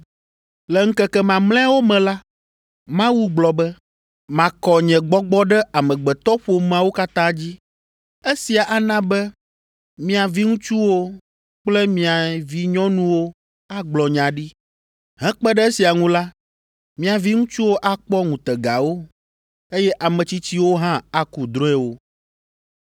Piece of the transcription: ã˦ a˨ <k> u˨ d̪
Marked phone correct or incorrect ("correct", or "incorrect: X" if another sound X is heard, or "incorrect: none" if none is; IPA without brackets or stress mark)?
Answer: correct